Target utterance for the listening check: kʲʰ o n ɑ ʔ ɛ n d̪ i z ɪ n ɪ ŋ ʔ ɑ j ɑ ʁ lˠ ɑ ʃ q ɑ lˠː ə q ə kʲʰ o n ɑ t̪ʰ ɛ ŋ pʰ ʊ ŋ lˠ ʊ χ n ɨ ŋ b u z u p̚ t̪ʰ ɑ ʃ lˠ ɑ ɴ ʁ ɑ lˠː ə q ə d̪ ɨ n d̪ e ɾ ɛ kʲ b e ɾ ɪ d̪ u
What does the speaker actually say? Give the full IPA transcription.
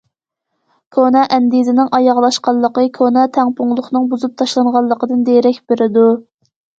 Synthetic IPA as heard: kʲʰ o n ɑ ʔ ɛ n d̪ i z ɪ n ɪ ŋ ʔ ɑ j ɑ ʁ lˠ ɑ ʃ q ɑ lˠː ə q ə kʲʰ o n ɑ t̪ʰ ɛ ŋ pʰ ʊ ŋ lˠ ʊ χ n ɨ ŋ b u z u p̚ t̪ʰ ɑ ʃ lˠ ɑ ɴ ʁ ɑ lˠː ə q ə d̪ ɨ n d̪ e ɾ ɛ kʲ b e ɾ ɪ d̪ u